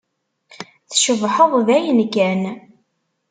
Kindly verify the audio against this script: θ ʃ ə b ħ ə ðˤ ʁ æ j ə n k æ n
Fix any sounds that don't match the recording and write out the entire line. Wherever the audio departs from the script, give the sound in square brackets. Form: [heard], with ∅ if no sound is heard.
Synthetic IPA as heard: θ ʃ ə [v] ħ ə ðˤ [ð] æ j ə n k æ n